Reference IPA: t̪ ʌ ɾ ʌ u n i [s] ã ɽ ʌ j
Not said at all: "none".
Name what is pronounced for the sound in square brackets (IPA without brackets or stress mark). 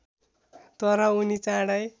t͡s